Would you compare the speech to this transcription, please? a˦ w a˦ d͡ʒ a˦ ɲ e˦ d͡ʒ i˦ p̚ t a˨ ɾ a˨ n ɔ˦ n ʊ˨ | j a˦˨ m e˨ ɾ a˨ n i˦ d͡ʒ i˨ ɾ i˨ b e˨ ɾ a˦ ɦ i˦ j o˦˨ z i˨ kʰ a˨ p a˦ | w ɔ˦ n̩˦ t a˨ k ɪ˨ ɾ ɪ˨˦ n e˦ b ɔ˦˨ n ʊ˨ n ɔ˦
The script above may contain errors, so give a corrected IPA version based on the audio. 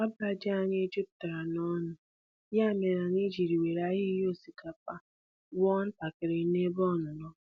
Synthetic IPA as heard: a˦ b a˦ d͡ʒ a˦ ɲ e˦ d͡ʒ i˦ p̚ t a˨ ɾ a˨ n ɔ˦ n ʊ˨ | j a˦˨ m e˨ ɾ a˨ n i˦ d͡ʒ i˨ ɾ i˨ w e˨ ɾ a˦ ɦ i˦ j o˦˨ s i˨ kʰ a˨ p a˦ | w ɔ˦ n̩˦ t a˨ k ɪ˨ ɾ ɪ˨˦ n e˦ b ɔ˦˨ n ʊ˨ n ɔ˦